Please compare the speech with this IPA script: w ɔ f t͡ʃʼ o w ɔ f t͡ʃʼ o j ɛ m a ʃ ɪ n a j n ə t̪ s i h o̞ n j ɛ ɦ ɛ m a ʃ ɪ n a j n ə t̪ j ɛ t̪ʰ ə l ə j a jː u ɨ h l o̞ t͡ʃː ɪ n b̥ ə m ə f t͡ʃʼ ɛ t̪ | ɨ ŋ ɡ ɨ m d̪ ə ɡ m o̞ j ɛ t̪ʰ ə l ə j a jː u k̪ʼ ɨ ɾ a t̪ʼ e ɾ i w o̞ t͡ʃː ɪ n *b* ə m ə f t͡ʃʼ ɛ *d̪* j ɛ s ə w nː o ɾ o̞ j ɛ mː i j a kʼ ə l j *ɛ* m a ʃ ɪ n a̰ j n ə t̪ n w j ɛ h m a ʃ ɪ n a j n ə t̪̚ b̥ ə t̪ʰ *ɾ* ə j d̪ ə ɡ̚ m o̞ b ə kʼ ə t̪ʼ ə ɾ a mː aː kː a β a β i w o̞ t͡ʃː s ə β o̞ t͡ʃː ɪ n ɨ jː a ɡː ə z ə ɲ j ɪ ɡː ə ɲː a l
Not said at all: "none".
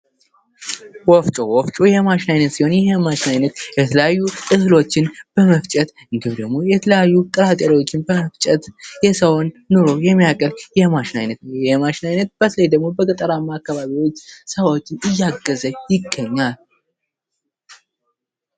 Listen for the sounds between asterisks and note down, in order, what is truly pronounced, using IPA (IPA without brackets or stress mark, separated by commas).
b, t̪, ɛ, l